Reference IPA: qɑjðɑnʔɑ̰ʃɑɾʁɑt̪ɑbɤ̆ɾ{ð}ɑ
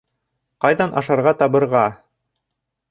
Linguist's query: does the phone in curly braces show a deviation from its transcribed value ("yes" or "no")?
yes